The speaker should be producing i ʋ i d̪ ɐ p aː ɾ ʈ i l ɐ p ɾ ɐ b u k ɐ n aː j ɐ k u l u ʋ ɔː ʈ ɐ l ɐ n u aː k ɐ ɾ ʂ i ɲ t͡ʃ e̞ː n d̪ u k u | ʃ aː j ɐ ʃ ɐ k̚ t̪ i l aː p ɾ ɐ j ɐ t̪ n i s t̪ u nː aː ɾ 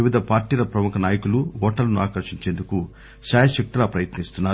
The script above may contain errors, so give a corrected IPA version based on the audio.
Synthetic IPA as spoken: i ʋ i d̪ ɐ p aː ɾ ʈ iː l ɐ p ɾ ɐ m u k ɐ n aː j ɐ k u l u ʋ ɔː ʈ ɐ l ɐ n u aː k ɐ ɾ ʂ i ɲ t͡ʃ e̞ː n d̪ u k u | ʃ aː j ɐ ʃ ɐ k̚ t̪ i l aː p ɾ ɐ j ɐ t̪ n i s t̪ u nː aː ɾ

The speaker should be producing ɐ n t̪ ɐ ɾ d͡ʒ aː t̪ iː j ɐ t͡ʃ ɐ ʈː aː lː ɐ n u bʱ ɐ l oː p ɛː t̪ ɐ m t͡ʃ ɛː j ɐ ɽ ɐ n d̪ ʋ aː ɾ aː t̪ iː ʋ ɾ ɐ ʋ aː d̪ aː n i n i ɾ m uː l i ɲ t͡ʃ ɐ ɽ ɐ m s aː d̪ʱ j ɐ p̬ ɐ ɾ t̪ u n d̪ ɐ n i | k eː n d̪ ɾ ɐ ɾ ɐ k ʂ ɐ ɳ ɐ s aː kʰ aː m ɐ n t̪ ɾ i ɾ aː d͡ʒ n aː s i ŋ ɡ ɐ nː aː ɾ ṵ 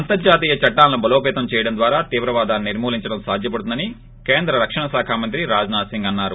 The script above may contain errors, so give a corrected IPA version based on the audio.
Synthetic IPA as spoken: ɐ n t̪ ɐ ɾ d͡ʒ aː t̪ iː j ɐ t͡ʃ ɐ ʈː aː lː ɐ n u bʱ ɐ l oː p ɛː t̪ ɐ m t͡ʃ ɛː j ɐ ɽ ɐ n d̪ ʋ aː ɾ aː t̪ iː ʋ ɾ ɐ ʋ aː d̪ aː n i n i ɾ m uː l i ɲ t͡ʃ ɐ ɽ ɐ m s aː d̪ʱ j ɐ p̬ ɐ ɽ t̪ u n d̪ ɐ n i | k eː n d̪ ɾ ɐ ɾ ɐ k ʂ ɐ ɳ ɐ s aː kʰ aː m ɐ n t̪ ɾ i ɾ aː d͡ʒ n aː s i ŋ ɡ ɐ nː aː ɾ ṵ

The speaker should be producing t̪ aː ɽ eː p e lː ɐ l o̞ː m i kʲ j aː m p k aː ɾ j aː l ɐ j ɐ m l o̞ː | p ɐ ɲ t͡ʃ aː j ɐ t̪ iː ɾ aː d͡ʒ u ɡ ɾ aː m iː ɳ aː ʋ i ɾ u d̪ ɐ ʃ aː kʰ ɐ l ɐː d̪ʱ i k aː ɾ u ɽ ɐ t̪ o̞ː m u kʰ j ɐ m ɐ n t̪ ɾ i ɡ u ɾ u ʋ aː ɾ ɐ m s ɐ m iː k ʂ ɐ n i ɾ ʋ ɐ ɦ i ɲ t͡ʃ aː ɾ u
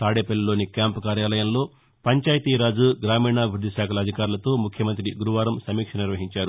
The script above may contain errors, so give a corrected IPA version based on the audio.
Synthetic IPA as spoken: t̪ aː ɽ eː p e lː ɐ l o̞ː n i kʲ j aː m p k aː ɾ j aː l ɐ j ɐ m l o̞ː | p ɐ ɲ t͡ʃ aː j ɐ t̪ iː ɾ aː d͡ʒ u ɡ ɾ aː m iː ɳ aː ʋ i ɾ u d̪ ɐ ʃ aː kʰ ɐ l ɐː d̪ʱ i k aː ɾ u l ɐ t̪ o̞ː m u kʰ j ɐ m ɐ n t̪ ɾ i ɡ u ɾ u ʋ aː ɾ ɐ m s ɐ m iː k ʂ ɐ n i ɾ ʋ ɐ ɦ i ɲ t͡ʃ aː ɾ u

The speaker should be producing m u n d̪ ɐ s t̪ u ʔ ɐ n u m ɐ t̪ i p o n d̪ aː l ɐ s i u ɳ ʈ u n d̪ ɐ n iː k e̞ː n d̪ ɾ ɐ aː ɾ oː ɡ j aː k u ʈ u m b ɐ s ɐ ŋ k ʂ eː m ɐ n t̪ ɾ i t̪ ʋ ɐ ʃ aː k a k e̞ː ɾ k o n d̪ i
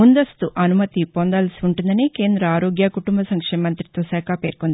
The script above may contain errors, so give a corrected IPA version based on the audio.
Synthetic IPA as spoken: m u n d̪ ɐ s t̪ u ʔ ɐ n u m ɐ t̪ i p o n d̪ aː l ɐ s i u ɳ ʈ u n d̪ ɐ n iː k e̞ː n d̪ ɾ ɐ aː ɾ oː ɡ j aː k u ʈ u m b ɐ s ɐ ŋ k ʂ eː m ɐ n t̪ ɾ i t̪ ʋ ɐ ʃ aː k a p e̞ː ɾ k o n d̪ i

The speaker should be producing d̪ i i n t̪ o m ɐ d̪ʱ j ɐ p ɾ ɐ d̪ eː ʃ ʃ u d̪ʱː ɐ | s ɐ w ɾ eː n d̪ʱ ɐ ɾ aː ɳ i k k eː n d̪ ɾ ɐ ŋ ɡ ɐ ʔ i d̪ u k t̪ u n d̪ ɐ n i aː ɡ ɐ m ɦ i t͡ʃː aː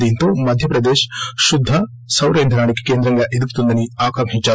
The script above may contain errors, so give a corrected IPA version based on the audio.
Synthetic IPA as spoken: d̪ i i n t̪ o m ɐ d̪ʱ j ɐ p ɾ ɐ d̪ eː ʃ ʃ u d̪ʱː ɐ | s ɐ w ɾ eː n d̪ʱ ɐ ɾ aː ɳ i k k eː n d̪ ɾ ɐ ŋ ɡ ɐ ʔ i d̪ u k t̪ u n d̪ ɐ n i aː k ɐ m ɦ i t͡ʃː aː

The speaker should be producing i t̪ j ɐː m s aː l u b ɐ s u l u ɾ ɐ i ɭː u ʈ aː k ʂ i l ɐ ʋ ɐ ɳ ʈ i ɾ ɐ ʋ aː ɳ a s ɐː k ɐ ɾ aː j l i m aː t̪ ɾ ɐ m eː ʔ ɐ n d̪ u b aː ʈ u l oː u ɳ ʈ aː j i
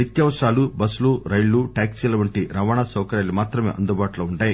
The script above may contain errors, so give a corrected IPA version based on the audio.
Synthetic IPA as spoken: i t̪ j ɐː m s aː l u b ɐ s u l u ɾ ɐ j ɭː u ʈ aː k s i l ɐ ʋ ɐ ɳ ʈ i ɾ ɐ ʋ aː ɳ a s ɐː k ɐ ɾ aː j l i m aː t̪ ɾ ɐ m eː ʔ ɐ n d̪ u b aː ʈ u l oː u ɳ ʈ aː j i

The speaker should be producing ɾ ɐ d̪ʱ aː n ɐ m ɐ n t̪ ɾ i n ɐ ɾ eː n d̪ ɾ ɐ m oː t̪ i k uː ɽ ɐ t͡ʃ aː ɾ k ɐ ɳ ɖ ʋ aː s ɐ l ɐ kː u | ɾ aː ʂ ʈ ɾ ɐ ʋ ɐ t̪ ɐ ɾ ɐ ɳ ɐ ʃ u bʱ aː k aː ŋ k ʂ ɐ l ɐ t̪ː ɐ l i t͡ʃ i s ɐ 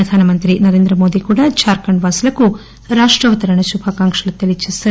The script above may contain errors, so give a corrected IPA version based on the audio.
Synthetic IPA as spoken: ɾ ɐ d̪ʱ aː n ɐ m ɐ n t̪ ɾ i n ɐ ɾ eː n d̪ ɾ ɐ m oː d̪ i k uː ɽ ɐ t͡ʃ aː ɾ k ɐ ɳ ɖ ʋ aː s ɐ l ɐ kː u | ɾ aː ʂ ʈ ɾ ɐ ʋ ɐ t̪ ɐ ɾ ɐ ɳ ɐ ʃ u bʱ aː k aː ŋ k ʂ ɐ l ɐ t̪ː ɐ l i t͡ʃ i s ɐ

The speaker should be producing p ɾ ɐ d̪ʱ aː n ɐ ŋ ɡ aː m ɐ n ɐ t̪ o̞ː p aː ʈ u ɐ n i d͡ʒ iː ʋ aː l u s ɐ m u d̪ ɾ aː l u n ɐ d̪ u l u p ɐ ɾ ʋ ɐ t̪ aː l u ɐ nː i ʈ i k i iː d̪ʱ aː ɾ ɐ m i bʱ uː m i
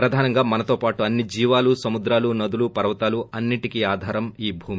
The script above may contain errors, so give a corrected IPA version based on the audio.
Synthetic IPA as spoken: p ɾ ɐ d̪ʱ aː n ɐ ŋ ɡ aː m ɐ n ɐ t̪ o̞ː p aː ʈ u ɐ nː i d͡ʒ iː ʋ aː l u s ɐ m u d̪ ɾ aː l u n ɐ d̪ u l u p ɐ ɾ ʋ ɐ t̪ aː l u ɐ nː i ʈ i k i aː d̪ʱ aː ɾ ɐ m iː bʱ uː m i

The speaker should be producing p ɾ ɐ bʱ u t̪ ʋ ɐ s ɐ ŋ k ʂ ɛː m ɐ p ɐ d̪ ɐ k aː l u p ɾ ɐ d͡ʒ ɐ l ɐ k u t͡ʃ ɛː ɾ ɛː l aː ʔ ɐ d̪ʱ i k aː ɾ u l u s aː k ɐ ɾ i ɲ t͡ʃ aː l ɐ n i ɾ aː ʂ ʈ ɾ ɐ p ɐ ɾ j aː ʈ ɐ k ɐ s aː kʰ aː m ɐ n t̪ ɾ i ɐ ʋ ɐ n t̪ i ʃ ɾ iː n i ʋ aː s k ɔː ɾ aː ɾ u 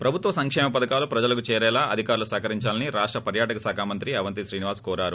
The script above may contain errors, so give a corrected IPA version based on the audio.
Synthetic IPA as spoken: p ɾ ɐ bʱ u t̪ ʋ ɐ s ɐ ŋ k ʂ ɛː m ɐ p ɐ d̪ ɐ k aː l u p ɾ ɐ d͡ʒ ɐ l ɐ k u t͡ʃ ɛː ɾ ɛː l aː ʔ ɐ d̪ʱ i k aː ɾ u l u s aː k ɐ ɾ i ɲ t͡ʃ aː l ɐ n i ɾ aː ʂ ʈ ɾ ɐ p ɐ ɾ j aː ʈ ɐ k ɐ s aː kʰ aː m ɐ n t̪ ɾ i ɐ ʋ ɐ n t̪ i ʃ ɾ iː n i ʋ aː s k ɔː ɾ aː ɾ u

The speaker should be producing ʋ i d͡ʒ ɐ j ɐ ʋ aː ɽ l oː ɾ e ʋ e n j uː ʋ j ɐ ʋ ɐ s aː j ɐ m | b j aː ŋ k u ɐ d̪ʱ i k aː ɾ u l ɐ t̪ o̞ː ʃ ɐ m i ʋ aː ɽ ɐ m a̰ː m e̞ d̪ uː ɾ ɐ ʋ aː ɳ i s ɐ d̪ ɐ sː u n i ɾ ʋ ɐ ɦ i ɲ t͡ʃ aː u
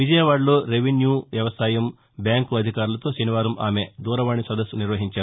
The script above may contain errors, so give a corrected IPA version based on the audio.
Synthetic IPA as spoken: ʋ i d͡ʒ ɐ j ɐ ʋ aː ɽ l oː ɾ e ʋ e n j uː ʋ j ɐ ʋ ɐ s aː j ɐ m | b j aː ŋ k u ɐ d̪ʱ i k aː ɾ u l ɐ t̪ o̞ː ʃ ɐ n i ʋ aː ɾ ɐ m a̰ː m e̞ d̪ uː ɾ ɐ ʋ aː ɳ i s ɐ d̪ ɐ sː u n i ɾ ʋ ɐ ɦ i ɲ t͡ʃ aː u

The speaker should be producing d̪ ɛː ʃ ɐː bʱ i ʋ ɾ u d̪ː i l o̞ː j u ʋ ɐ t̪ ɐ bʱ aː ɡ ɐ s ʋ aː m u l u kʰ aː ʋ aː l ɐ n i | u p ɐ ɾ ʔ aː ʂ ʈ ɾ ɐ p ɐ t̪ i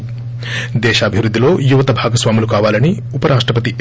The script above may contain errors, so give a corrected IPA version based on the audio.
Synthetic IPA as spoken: d̪ ɛː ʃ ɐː bʱ i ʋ ɾ u d̪ː i l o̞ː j u ʋ ɐ t̪ ɐ bʱ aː ɡ ɐ s ʋ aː m u l u k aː ʋ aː l ɐ n i | u p ɐ ɾ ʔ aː ʂ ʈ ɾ ɐ p ɐ t̪ i

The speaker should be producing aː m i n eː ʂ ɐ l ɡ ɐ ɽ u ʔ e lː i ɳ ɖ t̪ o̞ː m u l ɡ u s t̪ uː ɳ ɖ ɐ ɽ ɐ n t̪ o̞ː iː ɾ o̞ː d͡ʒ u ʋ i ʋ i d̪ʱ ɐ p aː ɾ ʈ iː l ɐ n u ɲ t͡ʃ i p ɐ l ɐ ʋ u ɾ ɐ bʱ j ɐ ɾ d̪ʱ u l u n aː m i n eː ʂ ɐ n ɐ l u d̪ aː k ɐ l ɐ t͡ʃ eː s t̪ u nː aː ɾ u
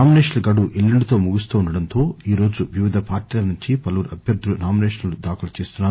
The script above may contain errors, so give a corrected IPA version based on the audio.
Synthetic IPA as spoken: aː m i n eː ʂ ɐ l ɡ ɐ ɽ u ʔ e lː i ɳ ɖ t̪ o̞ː m u ɡ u s t̪ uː ɳ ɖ ɐ ɽ ɐ n t̪ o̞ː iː ɾ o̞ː d͡ʒ u ʋ i ʋ i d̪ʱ ɐ p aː ɾ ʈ iː l ɐ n u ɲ t͡ʃ i p ɐ l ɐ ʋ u ɾ ɐ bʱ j ɐ ɾ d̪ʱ u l u n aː m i n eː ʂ ɐ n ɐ l u d̪ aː k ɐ l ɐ t͡ʃ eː s t̪ u nː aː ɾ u

